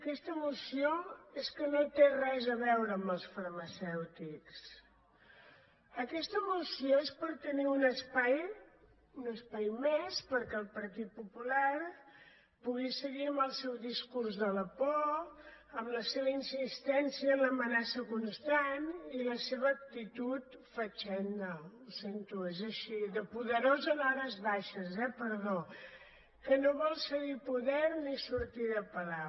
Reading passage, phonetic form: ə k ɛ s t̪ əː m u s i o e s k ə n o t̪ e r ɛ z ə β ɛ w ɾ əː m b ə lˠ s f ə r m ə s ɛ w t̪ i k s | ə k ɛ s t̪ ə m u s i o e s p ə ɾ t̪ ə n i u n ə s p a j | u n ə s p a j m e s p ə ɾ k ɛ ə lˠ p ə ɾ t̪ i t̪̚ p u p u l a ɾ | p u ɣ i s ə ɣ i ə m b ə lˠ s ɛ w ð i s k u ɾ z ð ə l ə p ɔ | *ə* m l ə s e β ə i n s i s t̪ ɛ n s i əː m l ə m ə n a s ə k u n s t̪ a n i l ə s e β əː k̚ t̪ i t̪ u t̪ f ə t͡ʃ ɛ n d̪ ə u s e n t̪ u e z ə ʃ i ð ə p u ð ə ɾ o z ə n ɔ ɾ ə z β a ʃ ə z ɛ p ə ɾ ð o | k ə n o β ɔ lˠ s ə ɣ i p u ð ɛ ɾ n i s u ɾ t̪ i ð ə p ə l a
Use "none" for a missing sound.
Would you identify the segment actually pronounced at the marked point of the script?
ə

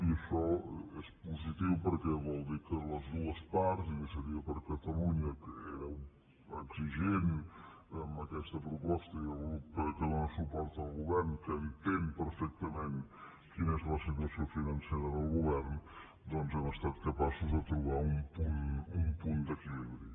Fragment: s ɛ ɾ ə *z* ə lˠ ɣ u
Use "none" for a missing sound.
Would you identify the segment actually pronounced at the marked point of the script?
ð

